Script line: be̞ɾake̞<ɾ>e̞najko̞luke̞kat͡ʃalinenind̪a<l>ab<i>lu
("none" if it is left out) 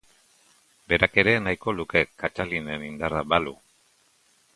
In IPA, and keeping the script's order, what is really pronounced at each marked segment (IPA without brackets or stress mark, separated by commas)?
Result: ɾ, r, a